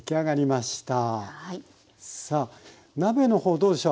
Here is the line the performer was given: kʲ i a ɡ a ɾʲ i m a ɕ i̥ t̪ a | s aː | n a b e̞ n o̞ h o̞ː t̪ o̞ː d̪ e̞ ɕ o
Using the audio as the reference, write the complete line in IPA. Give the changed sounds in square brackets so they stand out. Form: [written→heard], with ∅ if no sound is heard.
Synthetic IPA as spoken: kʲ i a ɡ a ɾʲ i m a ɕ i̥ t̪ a | s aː | n a b e̞ n o̞ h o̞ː [t̪→d̪] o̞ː d̪ e̞ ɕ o